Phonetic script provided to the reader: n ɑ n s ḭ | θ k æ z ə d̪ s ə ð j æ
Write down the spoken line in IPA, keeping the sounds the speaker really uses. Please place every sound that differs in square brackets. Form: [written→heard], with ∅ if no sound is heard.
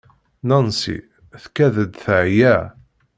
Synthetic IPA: n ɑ n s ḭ | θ k æ [z→ð] ə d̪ [s→θ] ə [ð→ʕ] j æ